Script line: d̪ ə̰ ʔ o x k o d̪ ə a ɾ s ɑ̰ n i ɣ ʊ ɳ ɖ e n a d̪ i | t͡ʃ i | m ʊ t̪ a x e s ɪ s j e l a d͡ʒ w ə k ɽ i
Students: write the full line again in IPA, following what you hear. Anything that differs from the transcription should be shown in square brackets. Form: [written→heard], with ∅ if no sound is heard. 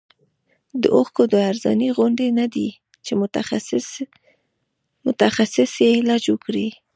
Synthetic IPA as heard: d̪ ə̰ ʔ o x k o d̪ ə a ɾ [s→z] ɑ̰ n i ɣ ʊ ɳ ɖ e n a d̪ i | t͡ʃ [i→e] | m ʊ t̪ a x [e→a] s ɪ s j e l [a→ɑ] d͡ʒ w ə k ɽ i